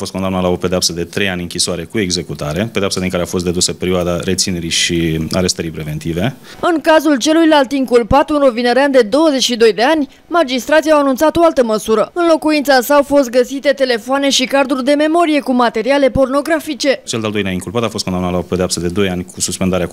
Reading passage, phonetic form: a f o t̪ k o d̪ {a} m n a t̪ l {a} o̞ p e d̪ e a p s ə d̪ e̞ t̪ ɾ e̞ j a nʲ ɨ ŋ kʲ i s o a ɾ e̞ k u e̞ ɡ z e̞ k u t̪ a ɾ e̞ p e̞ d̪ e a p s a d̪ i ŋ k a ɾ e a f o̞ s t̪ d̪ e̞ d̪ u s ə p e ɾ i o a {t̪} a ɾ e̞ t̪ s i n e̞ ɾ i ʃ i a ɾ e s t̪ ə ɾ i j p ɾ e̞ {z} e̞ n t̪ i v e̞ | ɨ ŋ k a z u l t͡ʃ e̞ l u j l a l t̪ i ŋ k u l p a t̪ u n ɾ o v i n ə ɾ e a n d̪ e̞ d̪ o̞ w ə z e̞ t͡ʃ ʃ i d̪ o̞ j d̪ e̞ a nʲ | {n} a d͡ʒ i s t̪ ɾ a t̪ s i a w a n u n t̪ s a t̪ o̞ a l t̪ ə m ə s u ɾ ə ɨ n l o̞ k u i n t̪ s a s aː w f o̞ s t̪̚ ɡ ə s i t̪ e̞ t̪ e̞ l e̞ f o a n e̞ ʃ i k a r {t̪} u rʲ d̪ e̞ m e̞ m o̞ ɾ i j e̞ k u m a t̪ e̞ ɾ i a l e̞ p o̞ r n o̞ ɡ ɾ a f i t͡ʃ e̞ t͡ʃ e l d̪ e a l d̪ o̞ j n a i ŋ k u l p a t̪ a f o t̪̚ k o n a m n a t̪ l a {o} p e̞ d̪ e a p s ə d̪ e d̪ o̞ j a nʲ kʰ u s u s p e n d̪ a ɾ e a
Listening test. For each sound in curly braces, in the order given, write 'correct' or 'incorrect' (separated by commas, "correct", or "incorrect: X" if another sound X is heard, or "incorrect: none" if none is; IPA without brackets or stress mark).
correct, correct, incorrect: d̪, incorrect: v, incorrect: m, incorrect: d̪, correct